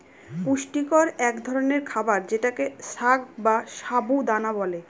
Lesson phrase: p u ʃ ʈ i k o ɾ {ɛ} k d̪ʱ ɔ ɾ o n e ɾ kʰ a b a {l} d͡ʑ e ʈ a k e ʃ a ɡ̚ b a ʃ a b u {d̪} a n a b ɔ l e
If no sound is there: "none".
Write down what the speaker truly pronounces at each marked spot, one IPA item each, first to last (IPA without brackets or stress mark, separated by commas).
ɛ, ɾ, d̪